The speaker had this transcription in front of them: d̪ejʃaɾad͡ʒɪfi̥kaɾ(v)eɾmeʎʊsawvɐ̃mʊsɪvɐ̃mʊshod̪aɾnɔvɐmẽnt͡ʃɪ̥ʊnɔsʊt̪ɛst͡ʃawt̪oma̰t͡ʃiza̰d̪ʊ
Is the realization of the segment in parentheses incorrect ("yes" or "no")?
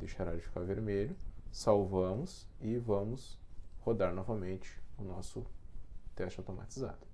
no